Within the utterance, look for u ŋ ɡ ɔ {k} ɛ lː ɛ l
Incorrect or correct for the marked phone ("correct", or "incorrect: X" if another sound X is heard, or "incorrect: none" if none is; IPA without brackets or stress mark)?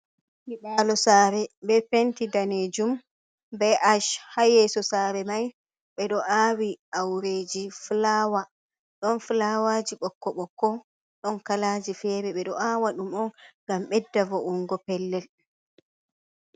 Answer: incorrect: p